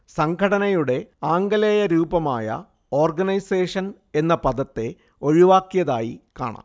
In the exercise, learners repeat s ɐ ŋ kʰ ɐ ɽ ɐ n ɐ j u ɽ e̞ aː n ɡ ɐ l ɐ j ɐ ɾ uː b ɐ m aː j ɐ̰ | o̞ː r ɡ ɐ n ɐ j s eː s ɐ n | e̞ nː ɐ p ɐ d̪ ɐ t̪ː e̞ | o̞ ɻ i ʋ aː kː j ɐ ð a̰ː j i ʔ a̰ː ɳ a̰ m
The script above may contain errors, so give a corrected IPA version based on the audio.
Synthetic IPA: s ɐ ŋ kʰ ɐ ɽ ɐ n ɐ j u ɽ e̞ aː ŋ ɡ ɐ l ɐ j ɐ ɾ uː b ɐ m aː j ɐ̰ | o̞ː r ɡ ɐ n ɐ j s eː ʂ ɐ n | e̞ nː ɐ p ɐ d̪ ɐ t̪ː e̞ | o̞ ɻ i ʋ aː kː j ɐ ð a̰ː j i k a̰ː ɳ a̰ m

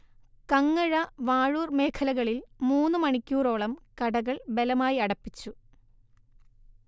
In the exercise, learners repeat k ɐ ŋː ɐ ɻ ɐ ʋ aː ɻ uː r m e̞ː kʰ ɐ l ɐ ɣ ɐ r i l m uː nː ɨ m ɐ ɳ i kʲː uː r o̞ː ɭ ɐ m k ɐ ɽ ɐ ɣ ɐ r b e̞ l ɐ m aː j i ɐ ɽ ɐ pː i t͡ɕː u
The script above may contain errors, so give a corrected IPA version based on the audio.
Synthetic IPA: k ɐ ŋː ɐ ɻ ɐ ʋ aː ɻ uː r m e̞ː kʰ ɐ l ɐ ɣ ɐ ɭ i l m uː nː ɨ m ɐ ɳ i kʲː uː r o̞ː ɭ ɐ m k ɐ ɽ ɐ ɣ ɐ ɭ b e̞ l ɐ m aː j i ɐ ɽ ɐ pː i t͡ɕː u

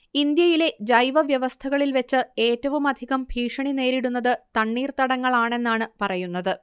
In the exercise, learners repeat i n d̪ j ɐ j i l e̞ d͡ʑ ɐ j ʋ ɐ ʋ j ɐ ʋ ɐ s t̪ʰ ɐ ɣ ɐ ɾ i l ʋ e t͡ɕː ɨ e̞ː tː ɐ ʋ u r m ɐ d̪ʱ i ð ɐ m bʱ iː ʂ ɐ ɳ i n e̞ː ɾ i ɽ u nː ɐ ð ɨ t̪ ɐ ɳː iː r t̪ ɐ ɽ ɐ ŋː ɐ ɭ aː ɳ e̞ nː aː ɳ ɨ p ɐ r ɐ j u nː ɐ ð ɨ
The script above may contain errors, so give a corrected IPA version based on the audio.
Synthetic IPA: i n d̪ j ɐ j i l e̞ d͡ʑ ɐ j ʋ ɐ ʋ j ɐ ʋ ɐ s t̪ʰ ɐ ɣ ɐ ɭ i l ʋ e t͡ɕː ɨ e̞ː tː ɐ ʋ u m ɐ d̪ʱ i ɣ ɐ m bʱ iː ʂ ɐ ɳ i n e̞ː ɾ i ɽ u nː ɐ ð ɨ t̪ ɐ ɳː iː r t̪ ɐ ɽ ɐ ŋː ɐ ɭ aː ɳ e̞ nː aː ɳ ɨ p ɐ r ɐ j u nː ɐ ð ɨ

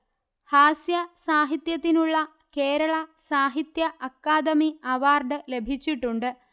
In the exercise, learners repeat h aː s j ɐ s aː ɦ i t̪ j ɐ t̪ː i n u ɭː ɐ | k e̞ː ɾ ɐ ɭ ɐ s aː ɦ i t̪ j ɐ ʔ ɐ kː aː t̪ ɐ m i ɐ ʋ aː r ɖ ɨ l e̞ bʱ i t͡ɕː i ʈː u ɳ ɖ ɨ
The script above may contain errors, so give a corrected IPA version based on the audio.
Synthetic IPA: h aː s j ɐ s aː ɦ i t̪ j ɐ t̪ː i n u ɭː ɐ | k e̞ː ɾ ɐ ɭ ɐ s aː ɦ i t̪ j ɐ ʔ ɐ kː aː d̪ ɐ m i ɐ ʋ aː r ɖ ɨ l e̞ bʱ i t͡ɕː i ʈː u ɳ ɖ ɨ

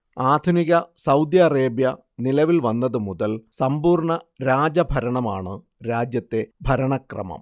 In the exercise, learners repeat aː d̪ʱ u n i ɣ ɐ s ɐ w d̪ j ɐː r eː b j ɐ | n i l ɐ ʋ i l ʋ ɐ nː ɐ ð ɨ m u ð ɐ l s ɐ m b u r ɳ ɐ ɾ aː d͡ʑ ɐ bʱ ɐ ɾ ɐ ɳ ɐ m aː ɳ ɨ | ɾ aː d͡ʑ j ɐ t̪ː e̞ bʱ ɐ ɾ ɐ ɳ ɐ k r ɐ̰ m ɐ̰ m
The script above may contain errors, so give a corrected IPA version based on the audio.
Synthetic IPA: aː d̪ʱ u n i ɣ ɐ s ɐ w d̪ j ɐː r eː b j ɐ | n i l ɐ ʋ i l ʋ ɐ nː ɐ ð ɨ m u ð ɐ l s ɐ m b uː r ɳ ɐ ɾ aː d͡ʑ ɐ bʱ ɐ ɾ ɐ ɳ ɐ m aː ɳ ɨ | ɾ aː d͡ʑ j ɐ t̪ː e̞ bʱ ɐ ɾ ɐ ɳ ɐ k r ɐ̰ m ɐ̰ m

